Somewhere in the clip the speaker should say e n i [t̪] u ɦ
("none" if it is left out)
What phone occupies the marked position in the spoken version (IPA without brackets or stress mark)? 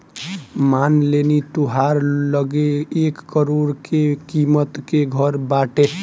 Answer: t̪